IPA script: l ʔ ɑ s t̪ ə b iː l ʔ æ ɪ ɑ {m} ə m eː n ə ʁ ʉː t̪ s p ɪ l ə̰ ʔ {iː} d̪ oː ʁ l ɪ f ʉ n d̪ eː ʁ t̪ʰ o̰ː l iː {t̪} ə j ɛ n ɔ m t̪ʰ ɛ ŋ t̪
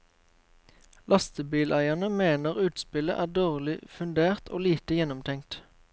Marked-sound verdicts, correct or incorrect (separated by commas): incorrect, incorrect, correct